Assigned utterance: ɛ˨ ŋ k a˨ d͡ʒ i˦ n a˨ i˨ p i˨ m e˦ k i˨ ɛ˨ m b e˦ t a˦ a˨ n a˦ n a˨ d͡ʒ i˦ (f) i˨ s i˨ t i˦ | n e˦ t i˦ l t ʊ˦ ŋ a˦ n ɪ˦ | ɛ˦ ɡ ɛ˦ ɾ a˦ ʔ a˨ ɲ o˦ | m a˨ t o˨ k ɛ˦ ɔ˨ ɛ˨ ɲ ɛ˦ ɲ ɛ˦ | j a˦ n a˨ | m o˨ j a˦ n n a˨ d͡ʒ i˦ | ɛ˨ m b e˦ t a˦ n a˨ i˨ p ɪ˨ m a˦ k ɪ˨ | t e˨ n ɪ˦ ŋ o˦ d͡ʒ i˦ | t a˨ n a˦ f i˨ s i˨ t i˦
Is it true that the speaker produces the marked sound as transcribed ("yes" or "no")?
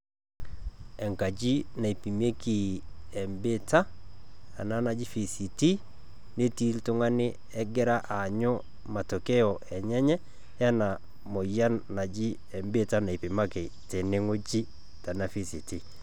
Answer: yes